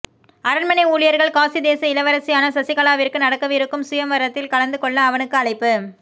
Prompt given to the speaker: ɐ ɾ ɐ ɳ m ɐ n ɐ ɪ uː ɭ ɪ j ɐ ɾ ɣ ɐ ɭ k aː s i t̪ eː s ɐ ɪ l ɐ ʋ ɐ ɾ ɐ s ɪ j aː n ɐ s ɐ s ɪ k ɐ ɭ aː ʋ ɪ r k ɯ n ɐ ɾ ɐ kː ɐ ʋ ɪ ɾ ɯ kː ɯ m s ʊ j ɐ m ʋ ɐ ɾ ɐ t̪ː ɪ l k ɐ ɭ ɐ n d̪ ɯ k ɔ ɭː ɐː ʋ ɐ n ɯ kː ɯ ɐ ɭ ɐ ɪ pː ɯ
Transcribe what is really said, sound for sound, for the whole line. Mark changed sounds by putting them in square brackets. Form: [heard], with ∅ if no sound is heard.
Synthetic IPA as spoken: ɐ ɾ ɐ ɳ m ɐ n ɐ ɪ uː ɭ ɪ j ɐ ɾ ɣ ɐ ɭ k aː s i [d̪] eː s ɐ ɪ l ɐ ʋ ɐ ɾ ɐ s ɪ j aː n ɐ s ɐ s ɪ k ɐ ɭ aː ʋ ɪ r k ɯ n ɐ [ɽ] ɐ kː ɐ ʋ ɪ ɾ ɯ kː ɯ m s ʊ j ɐ m ʋ ɐ ɾ ɐ t̪ː ɪ l k ɐ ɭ ɐ n d̪ ɯ k ɔ ɭː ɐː ʋ ɐ n ɯ kː ɯ ɐ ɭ ɐ ɪ pː ɯ